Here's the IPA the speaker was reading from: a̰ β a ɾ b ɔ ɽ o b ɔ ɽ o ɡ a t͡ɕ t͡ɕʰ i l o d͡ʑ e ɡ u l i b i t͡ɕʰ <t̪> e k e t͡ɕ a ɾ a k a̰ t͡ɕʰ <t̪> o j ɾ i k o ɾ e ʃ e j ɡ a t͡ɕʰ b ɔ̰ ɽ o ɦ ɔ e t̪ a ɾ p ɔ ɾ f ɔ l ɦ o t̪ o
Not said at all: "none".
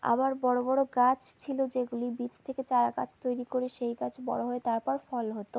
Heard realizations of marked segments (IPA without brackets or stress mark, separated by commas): t̪ʰ, t̪